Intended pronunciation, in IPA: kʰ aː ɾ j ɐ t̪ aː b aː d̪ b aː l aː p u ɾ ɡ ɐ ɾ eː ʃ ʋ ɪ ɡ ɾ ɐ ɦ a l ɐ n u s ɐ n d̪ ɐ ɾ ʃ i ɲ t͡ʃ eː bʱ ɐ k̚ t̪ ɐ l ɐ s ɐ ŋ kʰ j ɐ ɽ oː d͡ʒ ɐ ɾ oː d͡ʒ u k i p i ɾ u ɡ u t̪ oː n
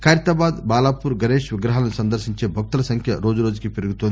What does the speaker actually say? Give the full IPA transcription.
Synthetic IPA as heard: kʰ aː ɾ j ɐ t̪ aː b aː d̪ b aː l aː p u ɾ ɡ ɐ ɾ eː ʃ ʋ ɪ ɡ ɾ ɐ ɦ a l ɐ n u s ɐ n d̪ ɐ ɾ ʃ i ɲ t͡ʃ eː bʱ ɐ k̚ t̪ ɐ l ɐ s ɐ ŋ kʰ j ɐ ɾ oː d͡ʒ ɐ ɾ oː d͡ʒ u k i p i ɾ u ɡ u t̪ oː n